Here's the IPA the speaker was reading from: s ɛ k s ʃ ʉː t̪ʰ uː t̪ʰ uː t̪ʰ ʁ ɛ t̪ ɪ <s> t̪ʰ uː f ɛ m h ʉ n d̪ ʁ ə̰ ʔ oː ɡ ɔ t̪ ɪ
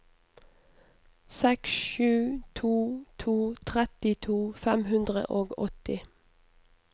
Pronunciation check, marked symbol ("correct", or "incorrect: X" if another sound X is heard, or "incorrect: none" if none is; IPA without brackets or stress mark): incorrect: none